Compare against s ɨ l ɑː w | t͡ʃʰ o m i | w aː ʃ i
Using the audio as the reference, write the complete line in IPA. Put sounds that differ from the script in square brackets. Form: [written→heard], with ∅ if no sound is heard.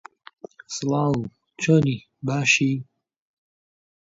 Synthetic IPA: s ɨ l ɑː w | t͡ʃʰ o [m→n] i | [w→b] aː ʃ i

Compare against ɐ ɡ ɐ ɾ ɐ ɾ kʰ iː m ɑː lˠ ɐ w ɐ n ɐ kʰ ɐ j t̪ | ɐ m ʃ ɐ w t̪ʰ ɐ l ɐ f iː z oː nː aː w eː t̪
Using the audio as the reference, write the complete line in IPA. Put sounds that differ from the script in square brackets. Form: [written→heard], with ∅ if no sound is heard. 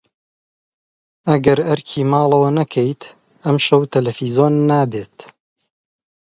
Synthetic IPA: ɐ ɡ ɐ ɾ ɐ ɾ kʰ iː m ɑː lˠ ɐ w ɐ n ɐ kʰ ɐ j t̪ | ɐ m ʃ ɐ w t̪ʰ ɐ l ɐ f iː z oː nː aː [w→b] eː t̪

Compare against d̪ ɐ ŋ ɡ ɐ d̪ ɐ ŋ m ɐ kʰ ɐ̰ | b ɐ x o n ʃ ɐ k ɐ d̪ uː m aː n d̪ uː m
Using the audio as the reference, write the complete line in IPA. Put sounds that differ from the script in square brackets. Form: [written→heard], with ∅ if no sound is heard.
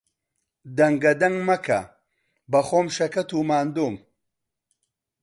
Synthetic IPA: d̪ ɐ ŋ ɡ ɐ d̪ ɐ ŋ m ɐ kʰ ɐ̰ | b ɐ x o [n→m] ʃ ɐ k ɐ [d̪→t̪] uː m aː n d̪ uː m

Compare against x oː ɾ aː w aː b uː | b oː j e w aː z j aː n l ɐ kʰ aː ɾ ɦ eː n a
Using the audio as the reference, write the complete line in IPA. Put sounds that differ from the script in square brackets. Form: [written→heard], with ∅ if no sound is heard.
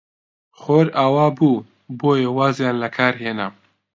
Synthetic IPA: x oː ɾ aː w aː b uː | b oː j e w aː z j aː n l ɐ kʰ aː ɾ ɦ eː n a

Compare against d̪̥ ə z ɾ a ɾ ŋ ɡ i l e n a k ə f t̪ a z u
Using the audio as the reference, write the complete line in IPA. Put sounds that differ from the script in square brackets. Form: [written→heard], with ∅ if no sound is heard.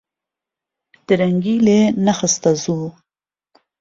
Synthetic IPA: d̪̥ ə [z→∅] ɾ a [ɾ→∅] ŋ ɡ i l e n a [k→x] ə [f→s] t̪ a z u

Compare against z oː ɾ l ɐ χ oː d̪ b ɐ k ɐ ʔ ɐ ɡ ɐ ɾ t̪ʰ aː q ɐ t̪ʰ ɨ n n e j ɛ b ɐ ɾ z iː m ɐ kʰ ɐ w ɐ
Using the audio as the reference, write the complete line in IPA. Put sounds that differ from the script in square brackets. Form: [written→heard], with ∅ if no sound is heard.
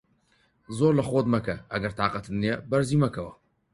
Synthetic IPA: z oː ɾ l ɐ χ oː d̪ [b→m] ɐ k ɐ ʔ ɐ ɡ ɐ ɾ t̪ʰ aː q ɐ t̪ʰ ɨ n n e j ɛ b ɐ ɾ z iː m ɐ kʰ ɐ w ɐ

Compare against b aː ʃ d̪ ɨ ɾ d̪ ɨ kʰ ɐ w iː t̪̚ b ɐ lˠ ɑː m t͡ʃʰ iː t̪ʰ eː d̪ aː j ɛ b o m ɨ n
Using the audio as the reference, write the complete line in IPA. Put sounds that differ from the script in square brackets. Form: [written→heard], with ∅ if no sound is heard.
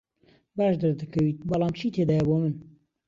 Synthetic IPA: b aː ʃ d̪ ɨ ɾ d̪ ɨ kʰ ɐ w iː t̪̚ b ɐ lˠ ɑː m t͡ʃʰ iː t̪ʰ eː d̪ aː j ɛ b o m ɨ n

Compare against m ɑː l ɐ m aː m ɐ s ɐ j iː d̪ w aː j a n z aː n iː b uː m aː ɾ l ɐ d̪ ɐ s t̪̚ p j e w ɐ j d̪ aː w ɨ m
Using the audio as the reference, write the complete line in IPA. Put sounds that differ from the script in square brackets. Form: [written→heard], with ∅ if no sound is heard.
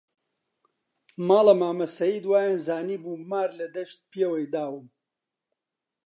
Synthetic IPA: m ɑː l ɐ m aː m ɐ s ɐ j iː d̪ w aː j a n z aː n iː b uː m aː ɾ l ɐ d̪ ɐ [s→ʃ] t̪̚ p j e w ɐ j d̪ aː w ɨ m

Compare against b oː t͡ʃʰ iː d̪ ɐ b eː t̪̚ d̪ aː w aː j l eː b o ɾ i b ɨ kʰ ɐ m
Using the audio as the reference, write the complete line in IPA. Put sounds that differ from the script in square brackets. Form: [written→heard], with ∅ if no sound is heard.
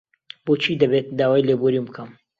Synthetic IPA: b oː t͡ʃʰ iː d̪ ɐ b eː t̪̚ d̪ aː w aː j l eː b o ɾ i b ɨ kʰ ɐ m

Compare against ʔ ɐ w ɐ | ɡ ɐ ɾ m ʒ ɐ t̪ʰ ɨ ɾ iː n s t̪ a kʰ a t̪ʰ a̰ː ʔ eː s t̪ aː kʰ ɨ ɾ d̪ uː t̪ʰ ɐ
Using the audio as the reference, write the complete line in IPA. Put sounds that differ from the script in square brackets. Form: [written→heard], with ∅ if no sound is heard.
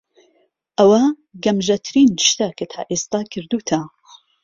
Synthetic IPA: ʔ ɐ w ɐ | ɡ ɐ [ɾ→∅] m ʒ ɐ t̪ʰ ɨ ɾ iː n [s→ʃ] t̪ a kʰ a t̪ʰ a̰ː ʔ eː s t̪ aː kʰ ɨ ɾ d̪ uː t̪ʰ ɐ

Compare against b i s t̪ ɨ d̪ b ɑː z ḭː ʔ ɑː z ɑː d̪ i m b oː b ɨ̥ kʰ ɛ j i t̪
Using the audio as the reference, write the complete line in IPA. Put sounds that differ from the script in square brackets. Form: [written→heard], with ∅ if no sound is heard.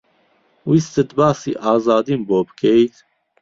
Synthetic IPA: [b→w] i s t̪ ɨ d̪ b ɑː [z→s] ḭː ʔ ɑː z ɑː d̪ i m b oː b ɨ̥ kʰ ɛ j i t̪

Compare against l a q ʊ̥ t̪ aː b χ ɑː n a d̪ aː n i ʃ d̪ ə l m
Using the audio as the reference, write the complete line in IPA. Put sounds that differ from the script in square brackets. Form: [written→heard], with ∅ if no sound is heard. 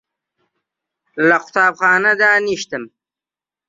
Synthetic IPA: l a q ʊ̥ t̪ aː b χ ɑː n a d̪ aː n i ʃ [d̪→t̪] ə [l→∅] m

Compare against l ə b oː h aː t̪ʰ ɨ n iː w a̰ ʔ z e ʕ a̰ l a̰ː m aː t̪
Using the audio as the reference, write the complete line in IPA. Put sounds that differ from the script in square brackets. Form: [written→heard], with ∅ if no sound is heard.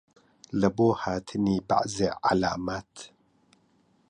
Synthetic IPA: l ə b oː h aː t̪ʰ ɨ n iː [w→b] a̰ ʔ z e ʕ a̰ l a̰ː m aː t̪

